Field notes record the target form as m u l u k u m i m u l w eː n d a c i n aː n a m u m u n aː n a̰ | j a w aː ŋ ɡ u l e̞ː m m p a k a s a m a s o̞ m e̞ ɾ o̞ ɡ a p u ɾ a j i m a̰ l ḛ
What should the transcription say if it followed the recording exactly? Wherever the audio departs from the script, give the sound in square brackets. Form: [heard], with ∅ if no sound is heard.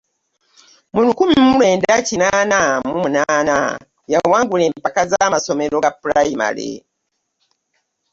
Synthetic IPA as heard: m u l u k u m i m u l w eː n d a c i n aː n a m u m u n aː n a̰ | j a w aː ŋ ɡ u l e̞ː m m p a k a [z] a m a s o̞ m e̞ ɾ o̞ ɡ a p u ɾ a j i m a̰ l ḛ